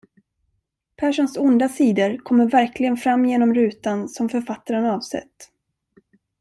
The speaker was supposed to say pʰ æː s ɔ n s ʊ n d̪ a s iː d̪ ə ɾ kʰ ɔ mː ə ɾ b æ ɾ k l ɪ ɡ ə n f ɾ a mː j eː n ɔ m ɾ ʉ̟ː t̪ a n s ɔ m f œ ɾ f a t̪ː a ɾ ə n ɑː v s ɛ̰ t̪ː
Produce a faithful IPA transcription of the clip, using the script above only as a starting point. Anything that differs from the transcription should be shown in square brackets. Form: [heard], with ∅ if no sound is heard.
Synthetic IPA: pʰ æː [ʂ] ɔ n s ʊ n d̪ a s iː d̪ ə ɾ kʰ ɔ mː ə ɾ [v] æ ɾ k l ɪ ɡ ə n f ɾ a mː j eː n ɔ m ɾ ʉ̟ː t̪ a n s ɔ m f œ ɾ f a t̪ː a ɾ ə n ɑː v s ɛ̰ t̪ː

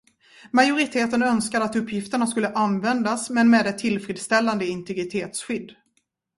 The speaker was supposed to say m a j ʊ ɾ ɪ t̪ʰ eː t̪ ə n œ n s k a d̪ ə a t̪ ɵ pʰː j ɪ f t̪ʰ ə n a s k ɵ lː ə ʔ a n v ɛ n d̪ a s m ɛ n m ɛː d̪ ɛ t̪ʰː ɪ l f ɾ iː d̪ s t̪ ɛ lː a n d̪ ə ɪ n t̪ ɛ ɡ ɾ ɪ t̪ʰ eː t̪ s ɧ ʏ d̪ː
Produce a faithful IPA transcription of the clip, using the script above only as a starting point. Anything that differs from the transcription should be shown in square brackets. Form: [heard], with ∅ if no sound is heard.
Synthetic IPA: m a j ʊ ɾ ɪ t̪ʰ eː t̪ ə n œ n s k a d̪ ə a t̪ ɵ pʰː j ɪ f [t̪] ə [ɳ] a s k ɵ lː ə ʔ a n v ɛ n d̪ a s m ɛ n m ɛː d̪ ɛ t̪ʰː ɪ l f ɾ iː d̪ s t̪ ɛ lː a n d̪ ə ɪ n t̪ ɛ ɡ ɾ ɪ t̪ʰ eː t̪ s ɧ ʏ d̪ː

